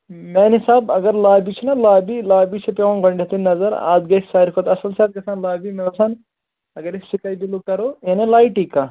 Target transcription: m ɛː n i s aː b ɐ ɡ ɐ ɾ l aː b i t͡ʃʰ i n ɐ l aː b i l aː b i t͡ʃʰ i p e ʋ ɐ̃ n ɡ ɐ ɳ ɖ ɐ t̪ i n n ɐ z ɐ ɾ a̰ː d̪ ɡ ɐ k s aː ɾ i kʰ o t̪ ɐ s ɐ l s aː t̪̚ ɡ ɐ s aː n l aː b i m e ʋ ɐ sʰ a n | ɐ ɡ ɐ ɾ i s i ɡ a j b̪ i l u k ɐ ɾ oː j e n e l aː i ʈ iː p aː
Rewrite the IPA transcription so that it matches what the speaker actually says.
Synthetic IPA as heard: m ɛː n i s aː b ɐ ɡ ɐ ɾ l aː b i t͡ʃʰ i n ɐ l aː b i l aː b i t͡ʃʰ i p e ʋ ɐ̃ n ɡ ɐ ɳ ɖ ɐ t̪ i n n ɐ z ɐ ɾ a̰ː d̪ ɡ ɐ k s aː ɾ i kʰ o t̪ ɐ s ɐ l s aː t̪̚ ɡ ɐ s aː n l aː b i m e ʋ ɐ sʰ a n | ɐ ɡ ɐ ɾ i s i k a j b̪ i l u k ɐ ɾ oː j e n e l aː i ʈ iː k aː